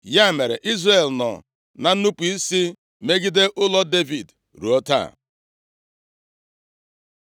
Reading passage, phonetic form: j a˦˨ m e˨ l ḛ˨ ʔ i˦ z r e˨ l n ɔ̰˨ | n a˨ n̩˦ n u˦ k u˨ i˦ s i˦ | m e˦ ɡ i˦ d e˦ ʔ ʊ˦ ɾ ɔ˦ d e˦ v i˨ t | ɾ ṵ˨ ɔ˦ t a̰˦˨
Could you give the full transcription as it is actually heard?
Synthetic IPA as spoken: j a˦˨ m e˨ ɾ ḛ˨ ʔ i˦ z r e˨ l n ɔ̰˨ | n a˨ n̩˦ n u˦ p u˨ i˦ s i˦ | m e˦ ɡ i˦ d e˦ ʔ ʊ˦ l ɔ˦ d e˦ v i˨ d | ɾ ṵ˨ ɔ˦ t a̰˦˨